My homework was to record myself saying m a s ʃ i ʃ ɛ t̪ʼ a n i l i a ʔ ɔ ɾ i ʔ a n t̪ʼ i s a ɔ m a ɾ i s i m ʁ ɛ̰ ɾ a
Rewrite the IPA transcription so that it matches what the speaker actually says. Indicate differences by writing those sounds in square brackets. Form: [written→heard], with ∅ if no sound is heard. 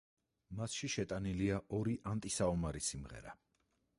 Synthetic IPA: m a s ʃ i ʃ ɛ t̪ʼ a n i l i a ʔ ɔ ɾ i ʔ a n t̪ʼ i s a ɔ m a ɾ i s i m ʁ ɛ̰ ɾ a